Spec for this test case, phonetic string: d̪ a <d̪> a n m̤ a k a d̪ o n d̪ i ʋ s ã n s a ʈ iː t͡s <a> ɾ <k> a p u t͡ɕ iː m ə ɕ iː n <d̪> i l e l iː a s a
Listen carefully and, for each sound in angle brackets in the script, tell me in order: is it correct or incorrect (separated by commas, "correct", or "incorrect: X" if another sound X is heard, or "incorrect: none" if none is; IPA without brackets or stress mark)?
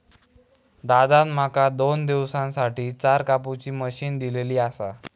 correct, correct, correct, correct